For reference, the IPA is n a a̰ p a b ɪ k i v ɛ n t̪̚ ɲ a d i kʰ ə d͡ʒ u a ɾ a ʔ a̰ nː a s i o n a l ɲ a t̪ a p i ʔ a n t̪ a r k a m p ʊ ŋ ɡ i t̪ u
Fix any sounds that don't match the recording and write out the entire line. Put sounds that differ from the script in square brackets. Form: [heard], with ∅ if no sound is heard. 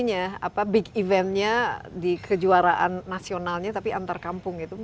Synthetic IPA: [ɲ] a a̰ p a b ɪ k i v ɛ n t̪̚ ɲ a d i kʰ ə d͡ʒ u a ɾ a ʔ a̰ nː a s i o n a l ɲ a t̪ a p i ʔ a n t̪ a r k a m p ʊ ŋ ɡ i t̪ u